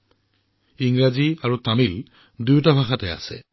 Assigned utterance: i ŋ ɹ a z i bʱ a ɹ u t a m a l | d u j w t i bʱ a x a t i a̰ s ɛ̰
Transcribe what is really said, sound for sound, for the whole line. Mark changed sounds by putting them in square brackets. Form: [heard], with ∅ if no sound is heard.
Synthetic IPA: i ŋ ɹ a z i [∅] a ɹ u t a m [i] l | d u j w t [a] bʱ a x a t [ɛ] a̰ s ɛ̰